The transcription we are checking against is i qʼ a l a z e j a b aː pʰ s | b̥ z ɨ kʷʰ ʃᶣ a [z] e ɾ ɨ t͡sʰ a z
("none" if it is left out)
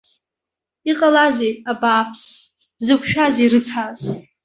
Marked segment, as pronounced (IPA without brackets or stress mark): z